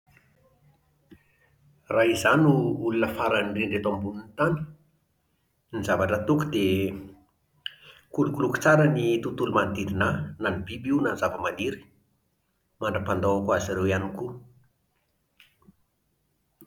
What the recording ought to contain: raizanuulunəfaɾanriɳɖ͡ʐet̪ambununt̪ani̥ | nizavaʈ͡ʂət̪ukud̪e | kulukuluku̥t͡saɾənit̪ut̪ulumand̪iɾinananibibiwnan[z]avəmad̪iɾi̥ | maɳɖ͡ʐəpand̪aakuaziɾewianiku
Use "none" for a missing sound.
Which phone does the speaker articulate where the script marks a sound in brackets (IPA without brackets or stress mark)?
z